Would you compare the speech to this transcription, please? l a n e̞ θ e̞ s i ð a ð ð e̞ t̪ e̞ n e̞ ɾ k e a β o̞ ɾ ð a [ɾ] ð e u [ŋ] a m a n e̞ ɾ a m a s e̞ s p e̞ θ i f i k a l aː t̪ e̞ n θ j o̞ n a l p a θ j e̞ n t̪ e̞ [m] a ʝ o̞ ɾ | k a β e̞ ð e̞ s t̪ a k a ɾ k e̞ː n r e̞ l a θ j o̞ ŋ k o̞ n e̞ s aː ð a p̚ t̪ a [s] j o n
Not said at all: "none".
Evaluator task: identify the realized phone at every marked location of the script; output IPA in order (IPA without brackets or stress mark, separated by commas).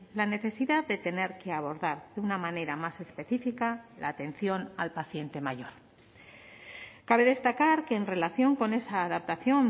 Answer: ɾ, n, m, θ